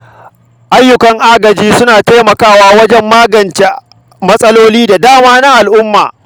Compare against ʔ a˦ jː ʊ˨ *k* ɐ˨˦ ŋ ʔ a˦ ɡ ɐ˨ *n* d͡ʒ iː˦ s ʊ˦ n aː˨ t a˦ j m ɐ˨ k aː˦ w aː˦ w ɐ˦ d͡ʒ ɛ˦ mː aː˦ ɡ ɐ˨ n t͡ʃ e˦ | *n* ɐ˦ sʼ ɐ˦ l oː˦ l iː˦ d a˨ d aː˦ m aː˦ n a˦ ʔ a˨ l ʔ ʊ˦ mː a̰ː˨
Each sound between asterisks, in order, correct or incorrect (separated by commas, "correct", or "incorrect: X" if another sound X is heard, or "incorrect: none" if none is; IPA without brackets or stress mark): correct, incorrect: none, incorrect: m